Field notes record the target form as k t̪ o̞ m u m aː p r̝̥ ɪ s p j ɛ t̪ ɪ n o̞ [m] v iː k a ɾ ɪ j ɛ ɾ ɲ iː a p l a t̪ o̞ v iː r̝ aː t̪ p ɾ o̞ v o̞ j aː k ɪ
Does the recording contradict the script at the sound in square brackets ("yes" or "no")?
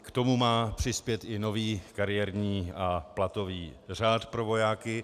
yes